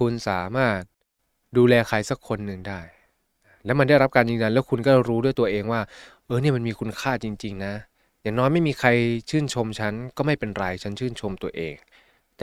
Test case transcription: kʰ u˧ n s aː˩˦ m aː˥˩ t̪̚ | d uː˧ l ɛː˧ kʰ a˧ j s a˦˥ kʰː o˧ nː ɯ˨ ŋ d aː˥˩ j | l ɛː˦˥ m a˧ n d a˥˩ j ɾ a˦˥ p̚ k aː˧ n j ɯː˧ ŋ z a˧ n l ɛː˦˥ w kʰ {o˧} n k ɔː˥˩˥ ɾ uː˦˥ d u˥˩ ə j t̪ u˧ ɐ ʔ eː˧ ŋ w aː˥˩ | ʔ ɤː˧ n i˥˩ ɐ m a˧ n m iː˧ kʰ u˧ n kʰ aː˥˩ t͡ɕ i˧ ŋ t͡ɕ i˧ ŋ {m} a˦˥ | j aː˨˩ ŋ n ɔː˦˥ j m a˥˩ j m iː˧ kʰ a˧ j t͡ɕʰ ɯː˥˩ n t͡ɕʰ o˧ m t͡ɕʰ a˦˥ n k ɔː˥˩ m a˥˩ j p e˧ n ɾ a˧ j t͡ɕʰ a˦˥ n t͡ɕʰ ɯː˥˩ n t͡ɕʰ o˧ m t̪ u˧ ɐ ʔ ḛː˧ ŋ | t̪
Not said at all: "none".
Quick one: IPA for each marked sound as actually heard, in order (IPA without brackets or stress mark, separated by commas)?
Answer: u˧, n